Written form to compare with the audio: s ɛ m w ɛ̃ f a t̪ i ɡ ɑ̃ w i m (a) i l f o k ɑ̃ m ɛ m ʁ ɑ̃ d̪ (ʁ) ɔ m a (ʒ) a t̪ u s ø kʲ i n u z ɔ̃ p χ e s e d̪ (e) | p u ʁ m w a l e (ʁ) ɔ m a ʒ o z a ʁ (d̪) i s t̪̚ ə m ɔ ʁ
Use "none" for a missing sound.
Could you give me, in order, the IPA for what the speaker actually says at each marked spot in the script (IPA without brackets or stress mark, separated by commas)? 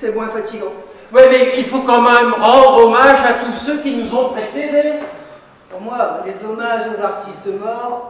ɛ, ʁ, ʒ, e, z, t̪